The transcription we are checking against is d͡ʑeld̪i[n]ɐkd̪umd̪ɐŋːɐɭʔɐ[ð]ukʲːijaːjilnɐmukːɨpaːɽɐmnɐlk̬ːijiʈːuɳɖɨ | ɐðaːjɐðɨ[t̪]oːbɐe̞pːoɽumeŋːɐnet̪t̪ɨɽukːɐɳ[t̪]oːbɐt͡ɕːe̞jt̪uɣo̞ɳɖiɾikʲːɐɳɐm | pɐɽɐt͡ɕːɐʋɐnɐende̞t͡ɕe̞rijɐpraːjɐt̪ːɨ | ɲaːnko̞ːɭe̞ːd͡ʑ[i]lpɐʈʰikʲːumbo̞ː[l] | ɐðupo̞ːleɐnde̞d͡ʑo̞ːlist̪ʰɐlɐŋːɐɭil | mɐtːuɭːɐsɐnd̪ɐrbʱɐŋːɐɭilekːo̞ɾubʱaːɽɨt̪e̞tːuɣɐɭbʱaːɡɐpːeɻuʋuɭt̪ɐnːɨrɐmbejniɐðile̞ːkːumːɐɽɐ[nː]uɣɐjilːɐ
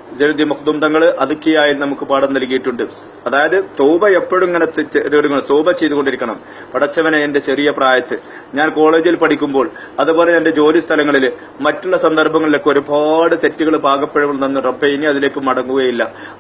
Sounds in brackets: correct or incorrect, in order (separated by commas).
incorrect, correct, correct, correct, correct, incorrect, incorrect